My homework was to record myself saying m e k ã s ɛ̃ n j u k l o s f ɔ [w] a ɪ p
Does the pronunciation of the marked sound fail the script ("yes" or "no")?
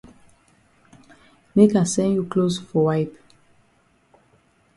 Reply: no